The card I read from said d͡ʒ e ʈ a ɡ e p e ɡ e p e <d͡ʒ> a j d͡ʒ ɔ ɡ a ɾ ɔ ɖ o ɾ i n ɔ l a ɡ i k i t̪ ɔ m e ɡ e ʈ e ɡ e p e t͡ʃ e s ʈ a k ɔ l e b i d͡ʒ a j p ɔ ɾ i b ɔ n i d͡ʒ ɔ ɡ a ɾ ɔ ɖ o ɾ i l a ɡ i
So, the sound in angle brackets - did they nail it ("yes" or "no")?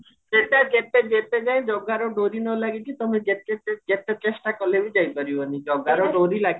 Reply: yes